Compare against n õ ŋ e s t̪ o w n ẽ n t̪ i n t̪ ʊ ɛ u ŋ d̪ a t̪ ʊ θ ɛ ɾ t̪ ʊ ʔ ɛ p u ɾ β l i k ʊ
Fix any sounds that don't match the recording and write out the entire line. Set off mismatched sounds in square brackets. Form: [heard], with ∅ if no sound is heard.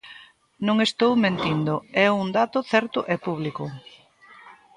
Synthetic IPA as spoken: n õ ŋ e s t̪ o w [m] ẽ n t̪ i n [d̪] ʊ ɛ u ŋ d̪ a t̪ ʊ θ ɛ ɾ t̪ ʊ ʔ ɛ p u [∅] β l i k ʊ